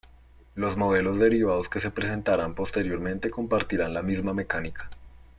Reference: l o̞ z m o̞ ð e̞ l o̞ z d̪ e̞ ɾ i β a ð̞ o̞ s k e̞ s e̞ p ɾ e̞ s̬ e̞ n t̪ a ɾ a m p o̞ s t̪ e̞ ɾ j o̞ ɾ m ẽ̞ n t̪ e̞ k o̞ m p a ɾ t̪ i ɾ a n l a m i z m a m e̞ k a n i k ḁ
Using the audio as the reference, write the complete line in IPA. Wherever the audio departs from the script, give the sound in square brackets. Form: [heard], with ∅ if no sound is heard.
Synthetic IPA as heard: l o̞ z m o̞ ð e̞ l o̞ z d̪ e̞ ɾ i β a ð̞ o̞ s k e̞ s e̞ p ɾ e̞ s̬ e̞ n t̪ a ɾ a m p o̞ s t̪ e̞ ɾ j o̞ ɾ m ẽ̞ n t̪ e̞ k o̞ m p a ɾ t̪ i ɾ a n l a m i z m a m e̞ k a n i k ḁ